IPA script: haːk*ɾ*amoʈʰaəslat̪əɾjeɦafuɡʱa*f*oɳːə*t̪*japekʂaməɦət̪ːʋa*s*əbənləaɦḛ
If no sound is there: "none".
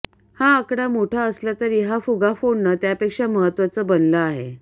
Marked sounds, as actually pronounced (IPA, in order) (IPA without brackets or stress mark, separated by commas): ɽ, f, t̪, t͡s